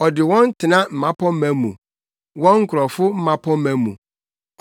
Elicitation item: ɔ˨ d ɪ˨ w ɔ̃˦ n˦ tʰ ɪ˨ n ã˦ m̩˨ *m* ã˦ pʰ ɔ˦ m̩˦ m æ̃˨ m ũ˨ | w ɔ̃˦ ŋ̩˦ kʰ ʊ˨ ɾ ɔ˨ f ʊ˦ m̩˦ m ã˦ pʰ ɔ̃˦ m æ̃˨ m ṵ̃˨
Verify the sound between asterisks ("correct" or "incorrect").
correct